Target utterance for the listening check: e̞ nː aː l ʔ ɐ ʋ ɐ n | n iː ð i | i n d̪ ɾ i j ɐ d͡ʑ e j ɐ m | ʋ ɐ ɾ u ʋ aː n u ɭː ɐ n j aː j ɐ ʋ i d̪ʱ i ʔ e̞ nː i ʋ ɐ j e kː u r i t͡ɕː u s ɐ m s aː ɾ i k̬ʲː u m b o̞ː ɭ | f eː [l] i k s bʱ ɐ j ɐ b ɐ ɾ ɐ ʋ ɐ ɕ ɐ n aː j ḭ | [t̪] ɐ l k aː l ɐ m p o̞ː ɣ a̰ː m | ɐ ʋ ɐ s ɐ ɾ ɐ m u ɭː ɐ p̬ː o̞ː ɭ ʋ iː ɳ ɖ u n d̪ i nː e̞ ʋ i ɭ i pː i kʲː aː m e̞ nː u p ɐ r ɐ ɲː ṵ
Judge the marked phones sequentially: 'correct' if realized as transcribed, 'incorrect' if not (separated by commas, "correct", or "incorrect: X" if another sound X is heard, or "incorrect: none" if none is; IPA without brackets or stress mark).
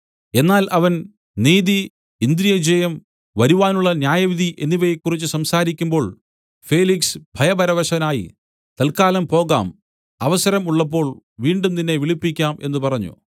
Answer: correct, correct